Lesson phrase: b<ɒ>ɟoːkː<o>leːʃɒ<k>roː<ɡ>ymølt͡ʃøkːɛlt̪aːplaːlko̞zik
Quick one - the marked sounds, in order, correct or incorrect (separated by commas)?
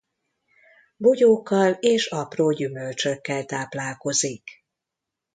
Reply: incorrect, incorrect, incorrect, incorrect